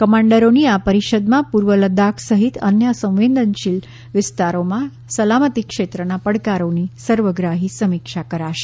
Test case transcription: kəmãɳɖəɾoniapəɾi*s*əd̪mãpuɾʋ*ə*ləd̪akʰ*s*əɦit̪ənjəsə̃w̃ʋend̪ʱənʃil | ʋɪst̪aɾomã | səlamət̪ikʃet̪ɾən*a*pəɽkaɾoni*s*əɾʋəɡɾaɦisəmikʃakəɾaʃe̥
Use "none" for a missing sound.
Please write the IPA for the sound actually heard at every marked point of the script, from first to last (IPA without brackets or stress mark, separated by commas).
ʃ, ə, s, a, s